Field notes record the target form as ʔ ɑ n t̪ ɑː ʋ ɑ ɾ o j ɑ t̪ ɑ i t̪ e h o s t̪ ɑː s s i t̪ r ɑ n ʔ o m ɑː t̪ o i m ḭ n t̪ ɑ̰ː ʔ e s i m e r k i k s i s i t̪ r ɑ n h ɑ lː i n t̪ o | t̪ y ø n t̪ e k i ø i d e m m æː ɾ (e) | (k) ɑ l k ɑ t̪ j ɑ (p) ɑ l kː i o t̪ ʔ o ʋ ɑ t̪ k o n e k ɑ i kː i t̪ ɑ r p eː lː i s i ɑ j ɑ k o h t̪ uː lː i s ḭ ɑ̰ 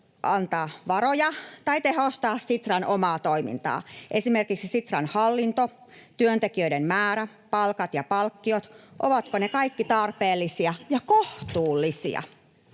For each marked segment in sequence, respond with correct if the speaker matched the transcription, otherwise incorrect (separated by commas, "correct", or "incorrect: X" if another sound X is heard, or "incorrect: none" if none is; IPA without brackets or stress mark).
incorrect: æ, incorrect: p, correct